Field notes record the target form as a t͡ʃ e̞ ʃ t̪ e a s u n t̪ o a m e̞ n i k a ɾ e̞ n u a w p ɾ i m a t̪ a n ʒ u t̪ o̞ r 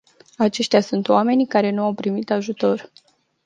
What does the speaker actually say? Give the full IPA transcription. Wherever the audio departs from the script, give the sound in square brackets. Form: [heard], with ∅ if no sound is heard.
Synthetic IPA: a t͡ʃ e̞ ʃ t̪ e a s u n t̪ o a m e̞ n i k a ɾ e̞ n u a w p ɾ i m [i] t̪ a [∅] ʒ u t̪ o̞ r